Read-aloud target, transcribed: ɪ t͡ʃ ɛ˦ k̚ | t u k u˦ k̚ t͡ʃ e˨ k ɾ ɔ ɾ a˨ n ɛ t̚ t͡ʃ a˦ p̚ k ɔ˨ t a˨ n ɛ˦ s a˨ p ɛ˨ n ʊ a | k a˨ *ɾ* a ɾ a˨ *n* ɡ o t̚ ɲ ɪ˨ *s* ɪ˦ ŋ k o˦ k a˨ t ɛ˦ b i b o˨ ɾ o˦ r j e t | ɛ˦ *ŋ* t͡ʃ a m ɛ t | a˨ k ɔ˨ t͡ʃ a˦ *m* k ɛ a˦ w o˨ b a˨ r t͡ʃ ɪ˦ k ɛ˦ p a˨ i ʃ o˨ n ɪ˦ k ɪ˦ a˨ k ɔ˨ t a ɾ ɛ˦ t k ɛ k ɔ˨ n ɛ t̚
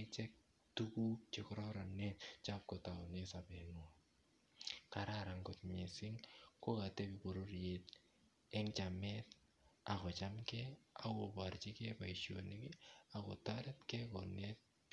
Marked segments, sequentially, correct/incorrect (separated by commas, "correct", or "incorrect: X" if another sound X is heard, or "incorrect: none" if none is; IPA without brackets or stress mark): correct, incorrect: ŋ, correct, correct, correct